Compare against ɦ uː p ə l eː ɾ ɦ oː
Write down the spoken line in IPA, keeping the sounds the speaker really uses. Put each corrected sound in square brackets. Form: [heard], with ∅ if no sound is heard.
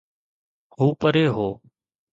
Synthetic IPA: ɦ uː p ə [ɾ] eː [∅] ɦ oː